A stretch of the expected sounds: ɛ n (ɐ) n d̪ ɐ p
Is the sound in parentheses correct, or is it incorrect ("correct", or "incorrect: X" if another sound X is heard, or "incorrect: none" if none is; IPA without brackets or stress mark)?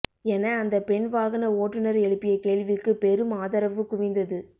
incorrect: ɐː